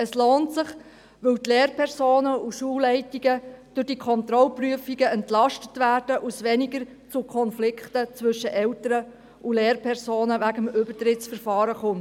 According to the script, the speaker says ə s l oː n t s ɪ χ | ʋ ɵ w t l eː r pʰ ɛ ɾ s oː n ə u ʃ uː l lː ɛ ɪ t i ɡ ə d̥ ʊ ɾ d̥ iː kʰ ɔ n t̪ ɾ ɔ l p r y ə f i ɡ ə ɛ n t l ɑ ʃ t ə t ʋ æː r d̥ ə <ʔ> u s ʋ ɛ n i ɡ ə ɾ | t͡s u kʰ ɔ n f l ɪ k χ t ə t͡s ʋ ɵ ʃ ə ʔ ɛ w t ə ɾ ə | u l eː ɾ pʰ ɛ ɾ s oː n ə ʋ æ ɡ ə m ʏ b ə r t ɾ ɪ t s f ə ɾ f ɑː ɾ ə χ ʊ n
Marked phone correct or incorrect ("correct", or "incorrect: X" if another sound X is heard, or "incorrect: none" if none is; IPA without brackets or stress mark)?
correct